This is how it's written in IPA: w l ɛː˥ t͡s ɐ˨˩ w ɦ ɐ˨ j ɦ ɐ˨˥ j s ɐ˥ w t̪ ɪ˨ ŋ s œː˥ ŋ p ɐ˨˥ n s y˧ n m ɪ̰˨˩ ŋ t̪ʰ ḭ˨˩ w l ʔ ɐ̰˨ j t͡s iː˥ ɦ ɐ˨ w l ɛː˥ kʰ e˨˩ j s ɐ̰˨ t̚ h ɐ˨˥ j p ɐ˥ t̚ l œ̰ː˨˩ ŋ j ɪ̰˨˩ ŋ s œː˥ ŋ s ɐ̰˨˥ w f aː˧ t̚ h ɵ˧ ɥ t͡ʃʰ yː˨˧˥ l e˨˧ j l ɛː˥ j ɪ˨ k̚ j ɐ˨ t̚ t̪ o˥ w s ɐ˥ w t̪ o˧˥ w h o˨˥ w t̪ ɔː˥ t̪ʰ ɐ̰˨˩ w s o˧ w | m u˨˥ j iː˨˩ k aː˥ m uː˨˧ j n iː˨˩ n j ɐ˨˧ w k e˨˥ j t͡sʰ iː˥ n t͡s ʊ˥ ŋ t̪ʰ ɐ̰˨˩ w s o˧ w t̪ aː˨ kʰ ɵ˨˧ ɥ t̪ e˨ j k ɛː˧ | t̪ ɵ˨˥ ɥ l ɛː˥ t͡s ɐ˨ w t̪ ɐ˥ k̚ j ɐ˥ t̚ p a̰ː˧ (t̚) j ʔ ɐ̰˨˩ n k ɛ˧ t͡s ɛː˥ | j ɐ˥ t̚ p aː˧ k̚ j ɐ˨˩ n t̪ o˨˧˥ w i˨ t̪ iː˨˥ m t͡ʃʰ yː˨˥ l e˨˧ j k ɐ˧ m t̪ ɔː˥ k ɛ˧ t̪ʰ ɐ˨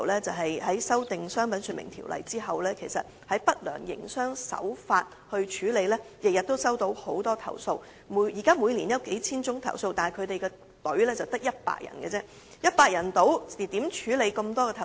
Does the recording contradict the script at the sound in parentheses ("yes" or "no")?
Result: yes